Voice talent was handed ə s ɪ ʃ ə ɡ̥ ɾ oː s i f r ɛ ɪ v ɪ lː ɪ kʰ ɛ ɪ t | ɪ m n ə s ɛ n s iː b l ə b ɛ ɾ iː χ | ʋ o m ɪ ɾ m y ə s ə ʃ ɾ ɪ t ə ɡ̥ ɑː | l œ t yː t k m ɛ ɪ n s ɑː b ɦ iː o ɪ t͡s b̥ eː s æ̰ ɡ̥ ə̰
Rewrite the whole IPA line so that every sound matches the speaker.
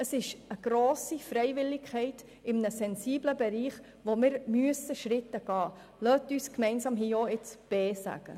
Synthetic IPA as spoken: ə s ɪ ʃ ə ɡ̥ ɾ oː s i f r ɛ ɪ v ɪ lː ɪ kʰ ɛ ɪ t | ɪ m n ə s ɛ n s iː b l ə b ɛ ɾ iː χ | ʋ o m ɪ ɾ m y ə s ə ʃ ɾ ɪ t ə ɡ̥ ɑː | l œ t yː s k m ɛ ɪ n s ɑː m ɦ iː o ɪ t͡s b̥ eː s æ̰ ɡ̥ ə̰